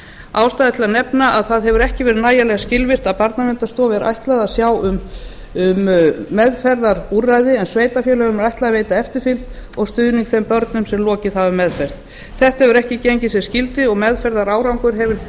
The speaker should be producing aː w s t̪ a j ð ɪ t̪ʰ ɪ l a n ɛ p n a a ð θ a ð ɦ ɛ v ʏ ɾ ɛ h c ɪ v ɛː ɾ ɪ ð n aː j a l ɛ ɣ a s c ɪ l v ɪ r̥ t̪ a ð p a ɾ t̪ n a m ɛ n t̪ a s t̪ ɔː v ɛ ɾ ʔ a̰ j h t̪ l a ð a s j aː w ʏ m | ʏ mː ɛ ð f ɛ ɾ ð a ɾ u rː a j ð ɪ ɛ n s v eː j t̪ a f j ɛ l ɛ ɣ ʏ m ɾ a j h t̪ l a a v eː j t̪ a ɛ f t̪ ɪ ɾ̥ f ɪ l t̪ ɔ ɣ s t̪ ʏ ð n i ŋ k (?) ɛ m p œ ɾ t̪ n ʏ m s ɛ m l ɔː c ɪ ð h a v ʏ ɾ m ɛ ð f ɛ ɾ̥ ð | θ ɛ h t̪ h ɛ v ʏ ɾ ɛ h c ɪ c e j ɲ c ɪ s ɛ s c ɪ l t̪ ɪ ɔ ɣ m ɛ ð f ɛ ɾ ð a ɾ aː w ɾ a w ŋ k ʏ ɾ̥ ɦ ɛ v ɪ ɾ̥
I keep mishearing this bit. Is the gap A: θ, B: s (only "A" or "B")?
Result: A